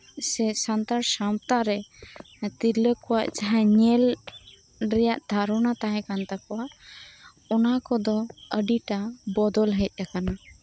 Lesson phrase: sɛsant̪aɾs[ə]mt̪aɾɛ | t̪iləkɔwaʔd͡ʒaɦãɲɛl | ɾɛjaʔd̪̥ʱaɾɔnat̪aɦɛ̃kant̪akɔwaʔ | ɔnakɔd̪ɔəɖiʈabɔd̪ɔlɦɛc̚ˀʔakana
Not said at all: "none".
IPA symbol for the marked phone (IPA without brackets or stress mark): a